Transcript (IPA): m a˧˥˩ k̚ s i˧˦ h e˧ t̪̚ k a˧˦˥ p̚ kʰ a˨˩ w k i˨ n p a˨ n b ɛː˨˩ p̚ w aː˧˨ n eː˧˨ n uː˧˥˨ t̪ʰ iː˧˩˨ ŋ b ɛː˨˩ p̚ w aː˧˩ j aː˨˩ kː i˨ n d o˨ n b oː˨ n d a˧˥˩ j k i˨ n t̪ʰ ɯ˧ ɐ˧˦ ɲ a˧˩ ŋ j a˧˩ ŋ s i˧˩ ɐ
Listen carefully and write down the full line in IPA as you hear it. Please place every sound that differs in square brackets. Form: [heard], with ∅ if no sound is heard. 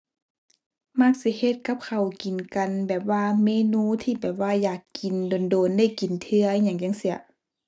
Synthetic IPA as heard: m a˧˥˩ k̚ s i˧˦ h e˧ t̪̚ k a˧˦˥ p̚ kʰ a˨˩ w k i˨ n [k] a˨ n b ɛː˨˩ p̚ w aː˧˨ [m] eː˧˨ n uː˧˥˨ t̪ʰ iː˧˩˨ [∅] b ɛː˨˩ p̚ w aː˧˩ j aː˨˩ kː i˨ n d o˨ n [d] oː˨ n d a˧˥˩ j k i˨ n t̪ʰ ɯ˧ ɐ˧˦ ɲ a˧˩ ŋ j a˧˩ ŋ s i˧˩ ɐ